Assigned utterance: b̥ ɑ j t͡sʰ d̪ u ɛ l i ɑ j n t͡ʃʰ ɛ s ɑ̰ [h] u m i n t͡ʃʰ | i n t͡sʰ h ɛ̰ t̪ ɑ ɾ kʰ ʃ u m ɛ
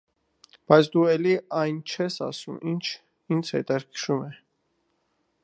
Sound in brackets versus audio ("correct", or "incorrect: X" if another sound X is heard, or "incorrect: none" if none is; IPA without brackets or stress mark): incorrect: s